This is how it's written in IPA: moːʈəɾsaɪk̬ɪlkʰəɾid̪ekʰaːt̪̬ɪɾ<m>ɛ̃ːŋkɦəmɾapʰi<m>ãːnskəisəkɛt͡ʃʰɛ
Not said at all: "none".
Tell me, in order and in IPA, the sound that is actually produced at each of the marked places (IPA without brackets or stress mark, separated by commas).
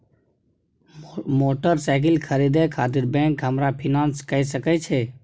b, n